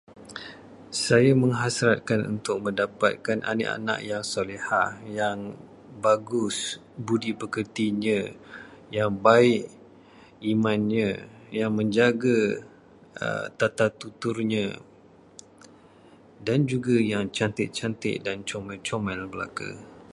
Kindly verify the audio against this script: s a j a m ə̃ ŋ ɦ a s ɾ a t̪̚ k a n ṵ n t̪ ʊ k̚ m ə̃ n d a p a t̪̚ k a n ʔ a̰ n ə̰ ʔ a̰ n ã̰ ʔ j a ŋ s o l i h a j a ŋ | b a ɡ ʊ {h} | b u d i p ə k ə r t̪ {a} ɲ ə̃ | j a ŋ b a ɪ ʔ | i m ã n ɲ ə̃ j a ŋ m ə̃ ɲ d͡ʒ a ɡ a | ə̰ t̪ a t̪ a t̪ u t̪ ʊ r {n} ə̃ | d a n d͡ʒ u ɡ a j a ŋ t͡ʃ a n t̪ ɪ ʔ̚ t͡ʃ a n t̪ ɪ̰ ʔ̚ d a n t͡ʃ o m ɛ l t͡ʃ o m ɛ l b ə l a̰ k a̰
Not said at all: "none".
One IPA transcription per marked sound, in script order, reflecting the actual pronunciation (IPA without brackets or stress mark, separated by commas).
s, i, ɲ